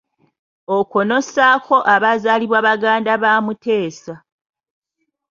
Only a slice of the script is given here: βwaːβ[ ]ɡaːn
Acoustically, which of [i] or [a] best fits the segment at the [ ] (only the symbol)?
a